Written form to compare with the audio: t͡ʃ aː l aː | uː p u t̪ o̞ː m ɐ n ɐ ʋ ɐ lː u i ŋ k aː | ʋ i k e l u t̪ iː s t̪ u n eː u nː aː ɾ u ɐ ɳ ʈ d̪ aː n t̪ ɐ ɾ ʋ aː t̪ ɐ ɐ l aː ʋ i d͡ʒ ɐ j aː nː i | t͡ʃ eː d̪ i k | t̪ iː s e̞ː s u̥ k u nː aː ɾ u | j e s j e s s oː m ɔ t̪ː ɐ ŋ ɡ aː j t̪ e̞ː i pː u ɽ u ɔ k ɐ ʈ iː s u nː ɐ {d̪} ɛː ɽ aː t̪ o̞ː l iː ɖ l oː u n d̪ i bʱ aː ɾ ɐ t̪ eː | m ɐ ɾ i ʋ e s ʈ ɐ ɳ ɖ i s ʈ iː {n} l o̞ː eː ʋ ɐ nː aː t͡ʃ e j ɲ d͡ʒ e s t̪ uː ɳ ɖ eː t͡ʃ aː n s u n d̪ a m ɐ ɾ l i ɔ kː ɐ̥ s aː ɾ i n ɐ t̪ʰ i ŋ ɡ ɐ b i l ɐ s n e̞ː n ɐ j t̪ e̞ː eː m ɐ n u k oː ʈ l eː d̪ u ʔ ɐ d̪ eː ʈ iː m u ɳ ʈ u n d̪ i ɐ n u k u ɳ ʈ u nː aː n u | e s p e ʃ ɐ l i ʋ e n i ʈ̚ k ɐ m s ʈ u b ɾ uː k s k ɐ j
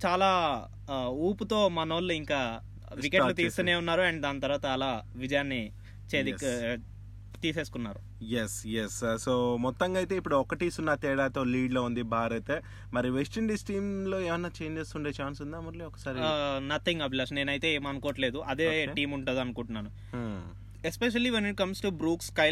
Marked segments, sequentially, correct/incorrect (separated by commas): incorrect, incorrect